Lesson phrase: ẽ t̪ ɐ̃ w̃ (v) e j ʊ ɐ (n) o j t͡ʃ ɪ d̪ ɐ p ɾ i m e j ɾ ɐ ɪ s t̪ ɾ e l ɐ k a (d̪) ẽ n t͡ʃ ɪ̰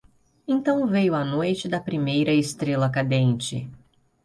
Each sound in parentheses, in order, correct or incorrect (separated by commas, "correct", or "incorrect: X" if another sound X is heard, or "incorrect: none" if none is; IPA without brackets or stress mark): correct, correct, correct